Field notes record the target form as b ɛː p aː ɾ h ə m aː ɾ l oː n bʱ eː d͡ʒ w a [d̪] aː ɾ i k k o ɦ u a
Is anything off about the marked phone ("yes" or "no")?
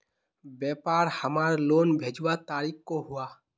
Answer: yes